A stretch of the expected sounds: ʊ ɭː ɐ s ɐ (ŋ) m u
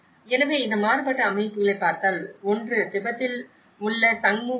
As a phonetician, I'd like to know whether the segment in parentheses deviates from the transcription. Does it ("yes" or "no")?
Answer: no